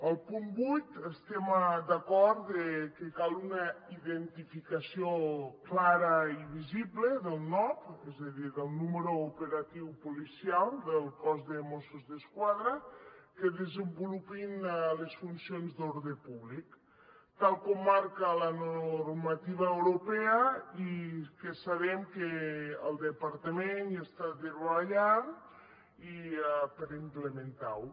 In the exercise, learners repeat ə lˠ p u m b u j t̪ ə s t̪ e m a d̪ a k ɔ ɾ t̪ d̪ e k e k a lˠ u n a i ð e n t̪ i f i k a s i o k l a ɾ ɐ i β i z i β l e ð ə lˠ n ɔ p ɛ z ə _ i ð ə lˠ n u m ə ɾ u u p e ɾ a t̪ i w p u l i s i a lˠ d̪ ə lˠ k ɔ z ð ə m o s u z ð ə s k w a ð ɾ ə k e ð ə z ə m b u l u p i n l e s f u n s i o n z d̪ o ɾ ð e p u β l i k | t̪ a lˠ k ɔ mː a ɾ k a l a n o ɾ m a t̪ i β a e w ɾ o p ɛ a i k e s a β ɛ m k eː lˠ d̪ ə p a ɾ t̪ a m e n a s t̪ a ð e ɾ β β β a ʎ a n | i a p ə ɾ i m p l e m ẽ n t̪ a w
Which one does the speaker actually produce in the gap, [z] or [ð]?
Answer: ð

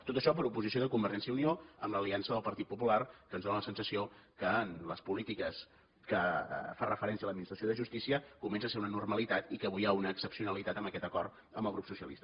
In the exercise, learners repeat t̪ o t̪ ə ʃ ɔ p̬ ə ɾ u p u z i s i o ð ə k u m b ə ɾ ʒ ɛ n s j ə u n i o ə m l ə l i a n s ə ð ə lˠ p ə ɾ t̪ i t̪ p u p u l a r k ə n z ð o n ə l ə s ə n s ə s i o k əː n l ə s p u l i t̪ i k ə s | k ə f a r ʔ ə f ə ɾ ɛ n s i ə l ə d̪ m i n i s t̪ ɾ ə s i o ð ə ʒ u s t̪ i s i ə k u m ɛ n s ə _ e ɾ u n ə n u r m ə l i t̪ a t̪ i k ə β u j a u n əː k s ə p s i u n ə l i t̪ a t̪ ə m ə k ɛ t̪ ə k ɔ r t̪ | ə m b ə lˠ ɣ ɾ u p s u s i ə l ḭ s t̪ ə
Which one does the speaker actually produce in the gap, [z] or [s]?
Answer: s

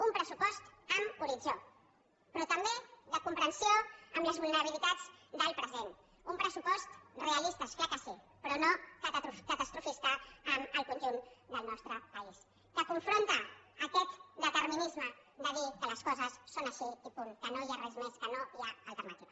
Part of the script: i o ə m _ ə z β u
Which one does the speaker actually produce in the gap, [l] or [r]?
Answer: l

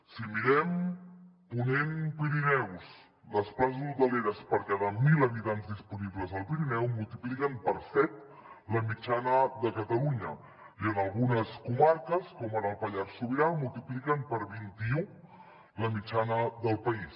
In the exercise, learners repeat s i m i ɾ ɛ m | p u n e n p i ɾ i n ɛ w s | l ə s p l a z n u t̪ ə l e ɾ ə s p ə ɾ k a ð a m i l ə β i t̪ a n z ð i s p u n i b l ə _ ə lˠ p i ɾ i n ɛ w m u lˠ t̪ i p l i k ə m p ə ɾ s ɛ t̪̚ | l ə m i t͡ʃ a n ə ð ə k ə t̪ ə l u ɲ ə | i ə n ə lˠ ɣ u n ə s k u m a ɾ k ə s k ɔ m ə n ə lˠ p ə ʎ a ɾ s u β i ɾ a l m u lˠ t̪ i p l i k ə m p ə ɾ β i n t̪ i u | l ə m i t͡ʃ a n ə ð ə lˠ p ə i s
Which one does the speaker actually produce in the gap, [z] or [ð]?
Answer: z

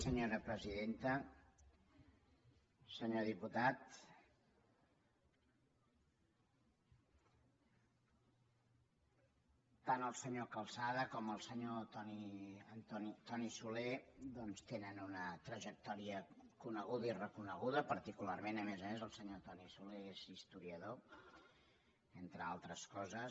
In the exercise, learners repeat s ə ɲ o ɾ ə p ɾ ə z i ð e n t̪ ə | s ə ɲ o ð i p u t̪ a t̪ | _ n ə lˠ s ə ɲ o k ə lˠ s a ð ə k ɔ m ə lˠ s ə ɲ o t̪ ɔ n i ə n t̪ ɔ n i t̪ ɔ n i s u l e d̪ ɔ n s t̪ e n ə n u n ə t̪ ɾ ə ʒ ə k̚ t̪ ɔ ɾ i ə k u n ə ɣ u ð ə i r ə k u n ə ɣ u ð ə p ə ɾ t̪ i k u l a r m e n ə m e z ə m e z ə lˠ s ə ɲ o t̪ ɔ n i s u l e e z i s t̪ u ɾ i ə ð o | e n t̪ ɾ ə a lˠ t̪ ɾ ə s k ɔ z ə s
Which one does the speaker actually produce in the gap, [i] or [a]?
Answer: a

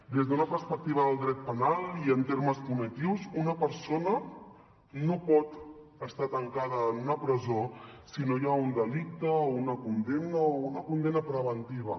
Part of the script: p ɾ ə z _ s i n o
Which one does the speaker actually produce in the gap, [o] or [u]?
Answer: o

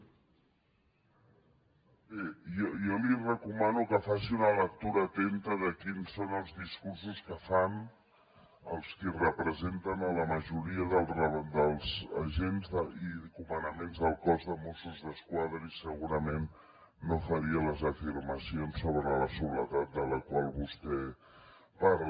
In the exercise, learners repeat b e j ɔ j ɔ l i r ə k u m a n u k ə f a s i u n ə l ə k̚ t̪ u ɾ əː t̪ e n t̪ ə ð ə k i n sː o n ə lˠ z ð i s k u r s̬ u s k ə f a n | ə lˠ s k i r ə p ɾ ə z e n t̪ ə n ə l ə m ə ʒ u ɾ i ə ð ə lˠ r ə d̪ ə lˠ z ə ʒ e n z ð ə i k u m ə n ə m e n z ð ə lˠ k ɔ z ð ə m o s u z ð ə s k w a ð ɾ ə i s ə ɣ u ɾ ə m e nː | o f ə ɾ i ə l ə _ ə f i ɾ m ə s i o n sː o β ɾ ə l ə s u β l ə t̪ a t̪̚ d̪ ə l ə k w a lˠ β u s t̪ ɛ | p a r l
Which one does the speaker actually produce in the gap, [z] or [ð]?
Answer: z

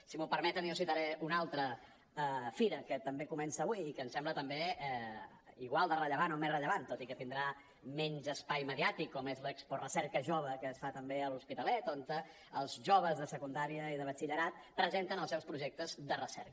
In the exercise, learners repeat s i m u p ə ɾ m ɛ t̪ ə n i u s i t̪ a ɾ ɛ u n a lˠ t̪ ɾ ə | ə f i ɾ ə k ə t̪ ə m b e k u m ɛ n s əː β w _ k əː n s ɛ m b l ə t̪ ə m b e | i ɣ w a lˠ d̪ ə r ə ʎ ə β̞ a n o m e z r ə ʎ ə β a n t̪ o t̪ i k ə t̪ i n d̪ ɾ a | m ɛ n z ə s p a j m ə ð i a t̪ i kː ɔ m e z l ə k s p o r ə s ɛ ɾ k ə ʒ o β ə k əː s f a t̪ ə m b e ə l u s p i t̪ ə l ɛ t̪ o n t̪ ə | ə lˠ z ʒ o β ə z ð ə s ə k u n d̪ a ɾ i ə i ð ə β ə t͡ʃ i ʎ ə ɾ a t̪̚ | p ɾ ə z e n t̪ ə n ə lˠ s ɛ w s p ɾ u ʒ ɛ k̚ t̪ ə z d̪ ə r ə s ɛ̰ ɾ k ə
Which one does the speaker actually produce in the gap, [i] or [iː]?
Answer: iː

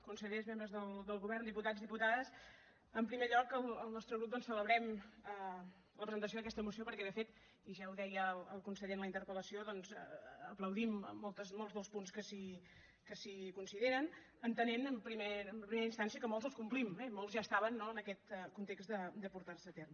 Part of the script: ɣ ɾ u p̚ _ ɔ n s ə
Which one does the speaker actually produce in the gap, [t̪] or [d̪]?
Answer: d̪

